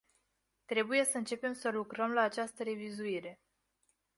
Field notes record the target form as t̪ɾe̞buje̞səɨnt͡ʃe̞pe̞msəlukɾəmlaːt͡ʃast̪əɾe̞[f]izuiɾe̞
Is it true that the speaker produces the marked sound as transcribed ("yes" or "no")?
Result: no